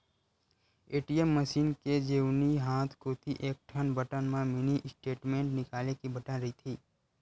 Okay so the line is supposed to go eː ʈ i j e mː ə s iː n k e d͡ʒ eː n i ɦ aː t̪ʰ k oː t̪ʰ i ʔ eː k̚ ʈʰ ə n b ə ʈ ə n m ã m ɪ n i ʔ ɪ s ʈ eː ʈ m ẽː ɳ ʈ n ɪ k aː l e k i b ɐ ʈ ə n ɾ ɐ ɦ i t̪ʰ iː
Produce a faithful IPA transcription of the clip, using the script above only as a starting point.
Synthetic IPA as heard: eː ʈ i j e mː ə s iː n k e d͡ʒ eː n i ɦ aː t̪ʰ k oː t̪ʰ i ʔ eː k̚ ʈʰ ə n b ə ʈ ə n m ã m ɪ n i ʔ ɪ s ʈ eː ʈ m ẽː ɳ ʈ n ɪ k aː l e k i b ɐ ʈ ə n ɾ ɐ ɦ i t̪ʰ iː